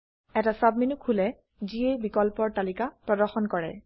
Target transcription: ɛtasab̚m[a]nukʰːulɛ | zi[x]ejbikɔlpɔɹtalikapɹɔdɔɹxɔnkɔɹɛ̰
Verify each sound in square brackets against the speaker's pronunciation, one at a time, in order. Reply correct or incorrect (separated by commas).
incorrect, incorrect